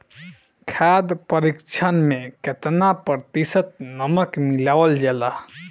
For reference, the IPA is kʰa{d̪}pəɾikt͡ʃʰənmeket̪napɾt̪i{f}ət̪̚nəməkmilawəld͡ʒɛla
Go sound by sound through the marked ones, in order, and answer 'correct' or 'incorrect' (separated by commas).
correct, incorrect